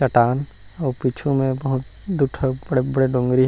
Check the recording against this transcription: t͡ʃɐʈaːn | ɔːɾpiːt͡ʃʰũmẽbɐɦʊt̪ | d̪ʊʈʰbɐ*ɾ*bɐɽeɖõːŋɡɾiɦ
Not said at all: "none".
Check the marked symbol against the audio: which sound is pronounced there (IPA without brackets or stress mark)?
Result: ɽ